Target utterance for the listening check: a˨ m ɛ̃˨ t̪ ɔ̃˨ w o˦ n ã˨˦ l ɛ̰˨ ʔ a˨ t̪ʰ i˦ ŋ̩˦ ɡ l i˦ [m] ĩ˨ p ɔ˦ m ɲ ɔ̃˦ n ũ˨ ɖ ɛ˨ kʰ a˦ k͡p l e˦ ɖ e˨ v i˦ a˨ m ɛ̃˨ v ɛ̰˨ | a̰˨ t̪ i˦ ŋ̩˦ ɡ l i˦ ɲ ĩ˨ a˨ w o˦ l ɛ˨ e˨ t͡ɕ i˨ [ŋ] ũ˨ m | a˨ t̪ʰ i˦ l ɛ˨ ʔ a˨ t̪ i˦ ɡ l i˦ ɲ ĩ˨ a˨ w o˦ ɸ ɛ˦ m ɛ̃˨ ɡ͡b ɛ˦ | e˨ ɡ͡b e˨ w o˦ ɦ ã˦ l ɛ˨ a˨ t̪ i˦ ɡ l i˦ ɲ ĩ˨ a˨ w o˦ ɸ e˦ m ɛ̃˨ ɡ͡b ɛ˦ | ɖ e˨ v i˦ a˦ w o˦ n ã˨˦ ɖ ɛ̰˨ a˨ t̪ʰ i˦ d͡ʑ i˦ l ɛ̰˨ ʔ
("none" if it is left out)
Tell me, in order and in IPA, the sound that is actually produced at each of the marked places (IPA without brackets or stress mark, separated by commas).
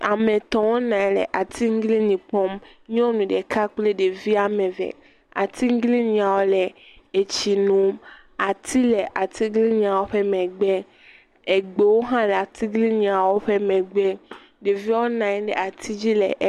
ɲ, n